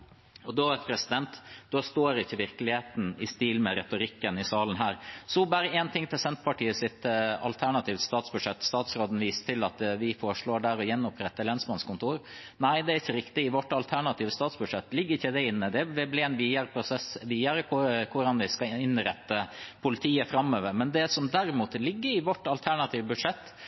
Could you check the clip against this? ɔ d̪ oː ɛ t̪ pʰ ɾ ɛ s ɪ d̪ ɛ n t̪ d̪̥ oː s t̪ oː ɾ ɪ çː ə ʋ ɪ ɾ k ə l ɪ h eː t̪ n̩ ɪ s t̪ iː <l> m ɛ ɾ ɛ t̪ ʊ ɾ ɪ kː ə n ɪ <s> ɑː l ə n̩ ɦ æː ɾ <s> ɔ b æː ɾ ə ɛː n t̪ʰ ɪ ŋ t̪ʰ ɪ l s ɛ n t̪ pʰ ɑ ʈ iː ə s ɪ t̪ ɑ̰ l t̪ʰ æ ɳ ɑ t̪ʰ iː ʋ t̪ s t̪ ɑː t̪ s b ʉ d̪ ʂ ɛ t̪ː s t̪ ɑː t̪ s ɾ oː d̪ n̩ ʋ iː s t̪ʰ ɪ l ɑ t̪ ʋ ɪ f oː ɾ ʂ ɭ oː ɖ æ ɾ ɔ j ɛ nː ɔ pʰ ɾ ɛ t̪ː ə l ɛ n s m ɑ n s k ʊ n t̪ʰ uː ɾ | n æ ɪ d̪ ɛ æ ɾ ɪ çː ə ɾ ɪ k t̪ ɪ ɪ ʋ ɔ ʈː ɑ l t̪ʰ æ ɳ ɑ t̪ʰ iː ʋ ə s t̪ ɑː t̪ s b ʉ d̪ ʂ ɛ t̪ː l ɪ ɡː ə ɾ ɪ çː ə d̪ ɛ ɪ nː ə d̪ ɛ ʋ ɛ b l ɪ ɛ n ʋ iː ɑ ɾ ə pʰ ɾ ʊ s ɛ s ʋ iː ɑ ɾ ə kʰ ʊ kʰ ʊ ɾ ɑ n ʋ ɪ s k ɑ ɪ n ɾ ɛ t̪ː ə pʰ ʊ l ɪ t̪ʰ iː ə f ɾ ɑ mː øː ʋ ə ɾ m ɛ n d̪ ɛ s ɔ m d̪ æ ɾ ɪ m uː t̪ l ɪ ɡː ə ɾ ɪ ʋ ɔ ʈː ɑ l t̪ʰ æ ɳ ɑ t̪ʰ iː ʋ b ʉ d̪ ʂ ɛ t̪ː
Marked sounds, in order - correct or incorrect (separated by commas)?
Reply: correct, correct, correct